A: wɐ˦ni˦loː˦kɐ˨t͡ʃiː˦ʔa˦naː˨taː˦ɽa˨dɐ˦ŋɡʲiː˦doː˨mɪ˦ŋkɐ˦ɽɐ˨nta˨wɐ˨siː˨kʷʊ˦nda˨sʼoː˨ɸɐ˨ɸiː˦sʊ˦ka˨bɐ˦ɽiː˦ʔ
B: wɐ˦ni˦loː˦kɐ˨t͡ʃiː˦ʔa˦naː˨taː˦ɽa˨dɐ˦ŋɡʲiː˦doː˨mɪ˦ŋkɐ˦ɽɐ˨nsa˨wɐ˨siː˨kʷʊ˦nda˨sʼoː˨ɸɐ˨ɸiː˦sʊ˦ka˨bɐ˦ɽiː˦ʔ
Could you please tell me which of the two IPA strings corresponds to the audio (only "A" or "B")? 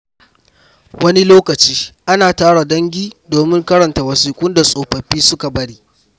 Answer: A